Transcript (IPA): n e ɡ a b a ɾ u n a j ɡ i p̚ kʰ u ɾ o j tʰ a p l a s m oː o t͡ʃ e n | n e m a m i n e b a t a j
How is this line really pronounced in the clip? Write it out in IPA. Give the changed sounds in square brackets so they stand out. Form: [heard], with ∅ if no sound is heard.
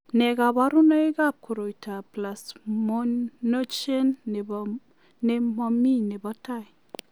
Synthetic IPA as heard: n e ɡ a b a ɾ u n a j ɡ [a] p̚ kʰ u ɾ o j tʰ a p l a s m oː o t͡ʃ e n | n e m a m i n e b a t a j